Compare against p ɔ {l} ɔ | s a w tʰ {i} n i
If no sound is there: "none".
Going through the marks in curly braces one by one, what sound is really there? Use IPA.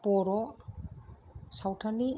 ɾ, a

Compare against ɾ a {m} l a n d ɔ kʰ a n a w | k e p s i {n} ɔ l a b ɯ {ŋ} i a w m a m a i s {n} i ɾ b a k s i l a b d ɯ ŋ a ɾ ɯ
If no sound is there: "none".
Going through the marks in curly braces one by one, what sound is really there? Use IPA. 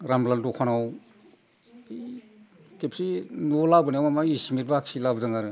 m, n, n, m

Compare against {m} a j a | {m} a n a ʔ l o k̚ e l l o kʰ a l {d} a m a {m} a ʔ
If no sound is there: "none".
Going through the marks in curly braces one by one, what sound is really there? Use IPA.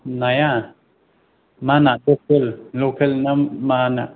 n, m, n, n

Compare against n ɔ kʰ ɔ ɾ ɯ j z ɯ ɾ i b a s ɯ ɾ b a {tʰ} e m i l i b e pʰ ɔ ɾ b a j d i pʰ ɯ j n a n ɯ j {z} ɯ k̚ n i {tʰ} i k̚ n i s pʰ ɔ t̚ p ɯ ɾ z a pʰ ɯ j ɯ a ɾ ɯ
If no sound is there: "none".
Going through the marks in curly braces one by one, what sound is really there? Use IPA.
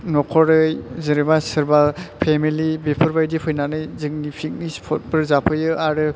pʰ, z, pʰ

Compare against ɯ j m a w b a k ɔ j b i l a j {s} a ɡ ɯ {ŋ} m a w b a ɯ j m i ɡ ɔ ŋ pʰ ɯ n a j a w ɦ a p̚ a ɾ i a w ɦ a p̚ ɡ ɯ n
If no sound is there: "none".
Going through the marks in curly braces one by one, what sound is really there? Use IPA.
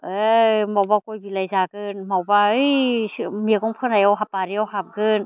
z, n

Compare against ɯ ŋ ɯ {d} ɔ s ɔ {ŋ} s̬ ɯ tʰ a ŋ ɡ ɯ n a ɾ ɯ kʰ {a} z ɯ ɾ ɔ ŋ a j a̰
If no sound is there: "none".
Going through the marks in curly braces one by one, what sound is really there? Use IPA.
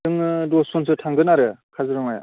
d, n, a

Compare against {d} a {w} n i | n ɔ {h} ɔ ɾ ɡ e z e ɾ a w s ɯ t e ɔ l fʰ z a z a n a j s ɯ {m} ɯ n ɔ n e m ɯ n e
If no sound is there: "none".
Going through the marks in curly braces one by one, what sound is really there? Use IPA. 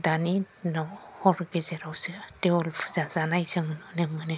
d, none, h, ŋ

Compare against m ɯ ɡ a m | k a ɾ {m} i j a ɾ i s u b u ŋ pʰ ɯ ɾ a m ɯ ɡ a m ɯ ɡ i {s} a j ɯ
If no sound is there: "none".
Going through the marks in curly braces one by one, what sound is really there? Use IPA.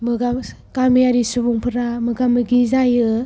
m, z

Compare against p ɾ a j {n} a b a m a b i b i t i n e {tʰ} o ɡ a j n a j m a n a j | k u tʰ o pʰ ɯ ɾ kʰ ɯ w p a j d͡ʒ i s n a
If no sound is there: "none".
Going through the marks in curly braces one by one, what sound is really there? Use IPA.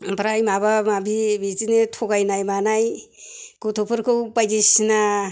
m, tʰ

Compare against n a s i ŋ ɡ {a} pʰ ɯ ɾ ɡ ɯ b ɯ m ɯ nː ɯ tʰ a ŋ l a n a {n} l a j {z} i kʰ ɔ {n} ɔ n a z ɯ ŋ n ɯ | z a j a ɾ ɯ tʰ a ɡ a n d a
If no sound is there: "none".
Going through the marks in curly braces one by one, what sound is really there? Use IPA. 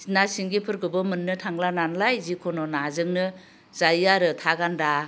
i, n, z, n

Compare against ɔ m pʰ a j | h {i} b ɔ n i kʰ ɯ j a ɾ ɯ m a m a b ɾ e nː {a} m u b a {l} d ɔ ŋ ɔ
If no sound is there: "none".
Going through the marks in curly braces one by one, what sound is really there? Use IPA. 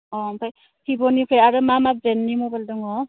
i, i, l

